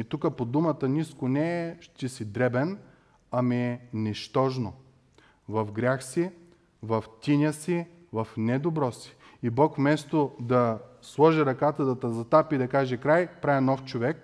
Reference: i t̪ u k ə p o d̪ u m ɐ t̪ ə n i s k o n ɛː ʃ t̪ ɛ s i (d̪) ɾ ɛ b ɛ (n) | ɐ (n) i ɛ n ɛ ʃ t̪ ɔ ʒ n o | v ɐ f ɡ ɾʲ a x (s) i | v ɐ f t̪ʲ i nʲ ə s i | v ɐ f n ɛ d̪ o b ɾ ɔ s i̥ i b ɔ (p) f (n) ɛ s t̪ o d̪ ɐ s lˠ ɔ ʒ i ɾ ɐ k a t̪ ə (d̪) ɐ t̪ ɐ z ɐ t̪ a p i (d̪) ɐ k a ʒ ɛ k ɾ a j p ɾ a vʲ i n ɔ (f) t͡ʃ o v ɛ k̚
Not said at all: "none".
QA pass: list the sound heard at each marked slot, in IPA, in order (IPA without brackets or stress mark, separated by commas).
d̪, n, m, s, k, m, d̪, d̪, f